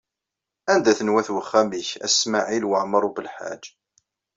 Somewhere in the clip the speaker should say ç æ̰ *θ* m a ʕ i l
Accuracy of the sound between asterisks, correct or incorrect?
incorrect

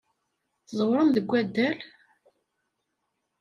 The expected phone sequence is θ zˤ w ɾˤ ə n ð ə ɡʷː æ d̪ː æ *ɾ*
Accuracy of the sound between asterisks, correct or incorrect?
incorrect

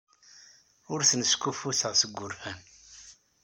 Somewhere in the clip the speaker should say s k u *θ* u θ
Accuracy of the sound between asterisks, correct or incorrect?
incorrect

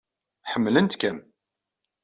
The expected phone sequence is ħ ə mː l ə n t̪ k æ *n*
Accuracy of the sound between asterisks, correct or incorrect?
incorrect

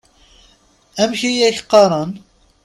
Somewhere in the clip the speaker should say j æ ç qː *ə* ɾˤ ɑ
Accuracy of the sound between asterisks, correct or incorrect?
incorrect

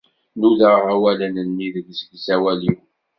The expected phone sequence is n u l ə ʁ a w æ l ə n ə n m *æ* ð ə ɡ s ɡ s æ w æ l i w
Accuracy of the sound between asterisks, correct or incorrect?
incorrect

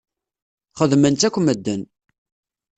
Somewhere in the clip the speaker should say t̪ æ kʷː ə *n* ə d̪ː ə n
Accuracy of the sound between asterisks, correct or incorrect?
incorrect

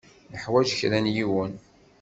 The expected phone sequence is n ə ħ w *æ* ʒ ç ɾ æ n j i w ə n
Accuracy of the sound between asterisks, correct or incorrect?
correct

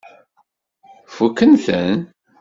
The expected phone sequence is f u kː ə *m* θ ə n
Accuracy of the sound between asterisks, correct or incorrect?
incorrect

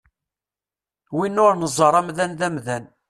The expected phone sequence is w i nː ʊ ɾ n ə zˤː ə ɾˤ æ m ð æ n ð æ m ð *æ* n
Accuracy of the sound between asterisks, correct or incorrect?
correct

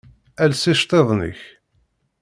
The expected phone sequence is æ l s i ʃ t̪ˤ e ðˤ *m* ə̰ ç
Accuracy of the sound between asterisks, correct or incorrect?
incorrect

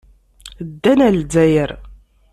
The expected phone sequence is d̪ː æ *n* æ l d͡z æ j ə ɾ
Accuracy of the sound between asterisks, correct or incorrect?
correct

